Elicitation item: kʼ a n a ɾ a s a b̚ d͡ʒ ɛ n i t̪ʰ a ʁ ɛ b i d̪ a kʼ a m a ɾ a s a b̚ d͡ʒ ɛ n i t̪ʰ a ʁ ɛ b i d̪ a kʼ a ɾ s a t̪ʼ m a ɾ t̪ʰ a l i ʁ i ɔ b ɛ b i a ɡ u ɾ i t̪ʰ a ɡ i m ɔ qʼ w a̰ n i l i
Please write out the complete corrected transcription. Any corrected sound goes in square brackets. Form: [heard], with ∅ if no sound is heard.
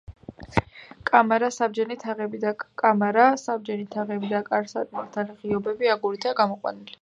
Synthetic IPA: kʼ a [m] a ɾ a s a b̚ d͡ʒ ɛ n i t̪ʰ a ʁ ɛ b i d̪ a kʼ a m a ɾ a s a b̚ d͡ʒ ɛ n i t̪ʰ a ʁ ɛ b i d̪ a kʼ a ɾ s a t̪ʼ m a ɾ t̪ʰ a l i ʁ i ɔ b ɛ b i a ɡ u ɾ i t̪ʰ a ɡ [a] m ɔ qʼ w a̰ n i l i

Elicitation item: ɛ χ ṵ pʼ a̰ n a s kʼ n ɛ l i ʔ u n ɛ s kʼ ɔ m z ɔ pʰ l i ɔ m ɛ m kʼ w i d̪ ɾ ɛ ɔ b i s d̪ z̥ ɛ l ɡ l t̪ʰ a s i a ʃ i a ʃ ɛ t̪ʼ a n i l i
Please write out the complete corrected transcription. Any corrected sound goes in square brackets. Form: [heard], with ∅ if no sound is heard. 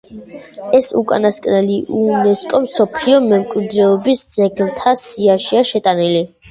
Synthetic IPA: ɛ [s] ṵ [kʼ] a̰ n a s kʼ n ɛ l i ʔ u n ɛ s kʼ ɔ m [s] ɔ pʰ l i ɔ m ɛ m kʼ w i d̪ ɾ ɛ ɔ b i s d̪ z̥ ɛ [∅] ɡ l t̪ʰ a s i a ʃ i a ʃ ɛ t̪ʼ a n i l i

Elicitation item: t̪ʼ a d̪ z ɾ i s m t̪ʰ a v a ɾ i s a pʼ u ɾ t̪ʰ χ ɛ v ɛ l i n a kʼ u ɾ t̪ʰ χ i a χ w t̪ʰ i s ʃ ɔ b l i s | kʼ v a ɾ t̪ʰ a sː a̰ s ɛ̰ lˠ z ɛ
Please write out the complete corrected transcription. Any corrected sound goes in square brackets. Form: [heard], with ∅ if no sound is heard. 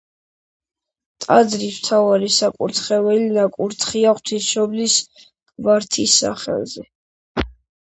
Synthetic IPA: t̪ʼ a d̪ z ɾ i s m t̪ʰ a v a ɾ i s a [kʼ] u ɾ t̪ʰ χ ɛ v ɛ l i n a kʼ u ɾ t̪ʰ χ i a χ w t̪ʰ i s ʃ ɔ b l i s | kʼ v a ɾ t̪ʰ [i] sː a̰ [χ] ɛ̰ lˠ z ɛ

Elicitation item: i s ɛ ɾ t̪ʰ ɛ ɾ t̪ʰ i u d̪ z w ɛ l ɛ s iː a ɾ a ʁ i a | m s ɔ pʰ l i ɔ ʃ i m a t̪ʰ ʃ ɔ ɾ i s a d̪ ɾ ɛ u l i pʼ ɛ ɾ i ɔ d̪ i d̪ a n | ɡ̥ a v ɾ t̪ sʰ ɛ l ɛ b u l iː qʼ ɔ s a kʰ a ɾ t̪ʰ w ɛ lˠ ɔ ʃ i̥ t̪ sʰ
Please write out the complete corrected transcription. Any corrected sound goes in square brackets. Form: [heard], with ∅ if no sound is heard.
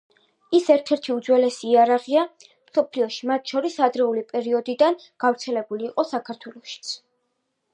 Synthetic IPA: i s ɛ ɾ t̪ʰ ɛ ɾ t̪ʰ i u d̪ z w ɛ l ɛ s iː a ɾ a ʁ i a | m s ɔ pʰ l i ɔ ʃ i m a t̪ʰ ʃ ɔ ɾ i s a d̪ ɾ ɛ u l i pʼ ɛ ɾ i ɔ d̪ i d̪ a n | ɡ̥ a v ɾ t̪ sʰ ɛ l ɛ b u l iː qʼ ɔ s a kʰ a ɾ t̪ʰ w ɛ lˠ ɔ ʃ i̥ t̪ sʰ

